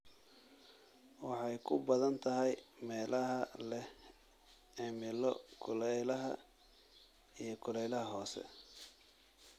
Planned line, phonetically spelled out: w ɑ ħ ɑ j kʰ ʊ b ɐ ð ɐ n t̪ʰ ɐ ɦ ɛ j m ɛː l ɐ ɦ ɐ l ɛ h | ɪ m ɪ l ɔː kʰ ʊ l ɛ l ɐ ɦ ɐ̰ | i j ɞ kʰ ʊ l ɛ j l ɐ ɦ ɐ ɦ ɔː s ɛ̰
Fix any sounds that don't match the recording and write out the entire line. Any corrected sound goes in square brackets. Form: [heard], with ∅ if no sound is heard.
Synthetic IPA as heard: w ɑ ħ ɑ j kʰ ʊ b ɐ ð ɐ n t̪ʰ ɐ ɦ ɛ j m ɛː l ɐ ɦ ɐ l ɛ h | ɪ m ɪ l [ɔ] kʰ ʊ l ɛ l ɐ ɦ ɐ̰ | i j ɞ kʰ ʊ l ɛ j l ɐ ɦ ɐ ɦ ɔː s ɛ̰